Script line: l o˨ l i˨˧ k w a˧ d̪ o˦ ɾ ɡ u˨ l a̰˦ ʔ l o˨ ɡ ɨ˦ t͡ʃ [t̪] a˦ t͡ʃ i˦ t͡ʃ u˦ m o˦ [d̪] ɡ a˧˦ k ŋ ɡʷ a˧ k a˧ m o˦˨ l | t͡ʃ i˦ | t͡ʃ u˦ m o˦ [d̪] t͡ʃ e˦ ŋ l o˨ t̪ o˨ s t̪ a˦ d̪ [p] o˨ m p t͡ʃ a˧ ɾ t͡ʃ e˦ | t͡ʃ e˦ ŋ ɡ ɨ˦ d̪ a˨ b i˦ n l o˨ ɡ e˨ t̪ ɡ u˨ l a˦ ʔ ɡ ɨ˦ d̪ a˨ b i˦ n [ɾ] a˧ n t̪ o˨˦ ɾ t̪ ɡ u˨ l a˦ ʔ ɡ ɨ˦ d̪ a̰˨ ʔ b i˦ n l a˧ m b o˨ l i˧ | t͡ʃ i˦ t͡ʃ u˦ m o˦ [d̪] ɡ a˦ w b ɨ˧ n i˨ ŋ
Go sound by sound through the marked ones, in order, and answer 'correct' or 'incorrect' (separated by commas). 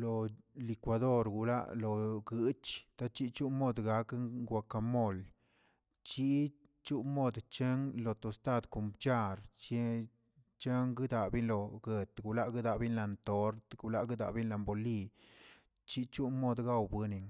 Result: correct, correct, correct, incorrect, incorrect, correct